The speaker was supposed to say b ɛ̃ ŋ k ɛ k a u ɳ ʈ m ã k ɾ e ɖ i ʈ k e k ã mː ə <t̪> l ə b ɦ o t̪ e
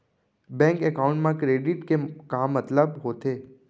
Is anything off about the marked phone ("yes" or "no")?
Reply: no